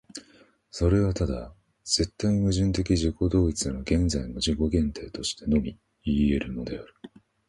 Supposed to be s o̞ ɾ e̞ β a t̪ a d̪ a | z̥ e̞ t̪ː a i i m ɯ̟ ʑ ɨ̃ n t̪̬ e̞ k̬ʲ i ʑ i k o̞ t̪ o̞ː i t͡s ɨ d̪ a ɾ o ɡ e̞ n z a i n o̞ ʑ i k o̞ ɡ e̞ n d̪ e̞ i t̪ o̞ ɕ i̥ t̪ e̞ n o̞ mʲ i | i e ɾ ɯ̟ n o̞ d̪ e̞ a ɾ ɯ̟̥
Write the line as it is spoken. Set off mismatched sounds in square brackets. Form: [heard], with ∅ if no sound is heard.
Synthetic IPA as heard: s o̞ ɾ e̞ β a t̪ a d̪ a | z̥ e̞ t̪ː a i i m ɯ̟ ʑ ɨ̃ n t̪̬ e̞ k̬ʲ i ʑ i k o̞ [d̪] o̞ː i t͡s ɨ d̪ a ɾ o ɡ [ẽ̞] n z a i n o̞ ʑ i k o̞ ɡ [ẽ̞] n [t̪] e̞ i t̪ o̞ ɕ i̥ t̪ e̞ n o̞ mʲ i | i e ɾ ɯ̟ n o̞ d̪ e̞ a ɾ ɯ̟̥